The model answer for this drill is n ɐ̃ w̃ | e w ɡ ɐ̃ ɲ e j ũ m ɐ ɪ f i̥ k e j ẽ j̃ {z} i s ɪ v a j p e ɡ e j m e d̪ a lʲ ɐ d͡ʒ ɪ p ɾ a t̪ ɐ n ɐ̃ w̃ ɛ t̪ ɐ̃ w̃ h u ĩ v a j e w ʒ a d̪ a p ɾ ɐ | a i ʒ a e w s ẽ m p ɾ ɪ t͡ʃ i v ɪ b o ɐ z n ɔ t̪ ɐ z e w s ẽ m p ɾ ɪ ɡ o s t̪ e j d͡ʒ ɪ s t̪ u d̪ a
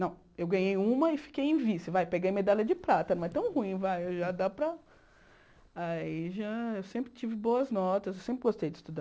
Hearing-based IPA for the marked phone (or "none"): v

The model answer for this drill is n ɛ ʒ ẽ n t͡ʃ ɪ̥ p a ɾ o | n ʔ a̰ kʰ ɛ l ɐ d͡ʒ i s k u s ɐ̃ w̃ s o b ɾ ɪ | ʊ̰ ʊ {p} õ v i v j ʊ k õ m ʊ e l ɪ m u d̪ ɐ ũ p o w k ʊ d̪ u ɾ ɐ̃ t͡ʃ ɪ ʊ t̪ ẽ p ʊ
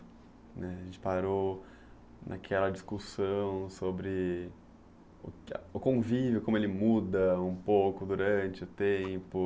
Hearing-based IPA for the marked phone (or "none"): k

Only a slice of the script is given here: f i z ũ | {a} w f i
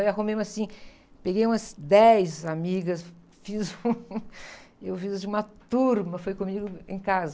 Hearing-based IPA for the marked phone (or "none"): e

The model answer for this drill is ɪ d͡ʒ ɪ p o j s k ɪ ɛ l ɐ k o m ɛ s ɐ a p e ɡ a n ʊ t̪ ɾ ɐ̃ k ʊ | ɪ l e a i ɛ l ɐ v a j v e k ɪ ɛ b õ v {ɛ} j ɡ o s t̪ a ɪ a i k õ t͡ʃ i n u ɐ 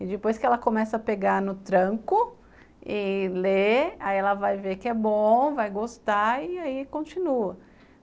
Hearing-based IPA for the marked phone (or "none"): a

